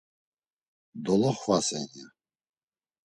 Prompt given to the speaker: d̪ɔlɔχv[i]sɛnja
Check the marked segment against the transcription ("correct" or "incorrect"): incorrect